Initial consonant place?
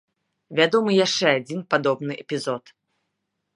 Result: labial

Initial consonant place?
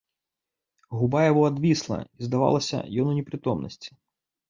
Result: glottal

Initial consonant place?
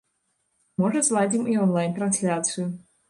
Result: labial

